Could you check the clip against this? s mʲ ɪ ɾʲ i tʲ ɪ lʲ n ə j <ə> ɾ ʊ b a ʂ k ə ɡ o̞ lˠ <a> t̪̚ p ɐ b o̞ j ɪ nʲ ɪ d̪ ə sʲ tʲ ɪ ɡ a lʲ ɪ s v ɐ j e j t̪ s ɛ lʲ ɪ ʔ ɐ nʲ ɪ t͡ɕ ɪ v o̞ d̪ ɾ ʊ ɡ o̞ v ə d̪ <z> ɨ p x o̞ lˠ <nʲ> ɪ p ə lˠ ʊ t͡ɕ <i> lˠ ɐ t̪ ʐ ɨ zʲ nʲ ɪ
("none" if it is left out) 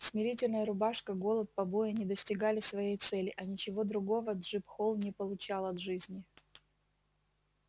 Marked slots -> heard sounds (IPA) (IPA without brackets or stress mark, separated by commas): ə, ə, ʐ, nʲ, a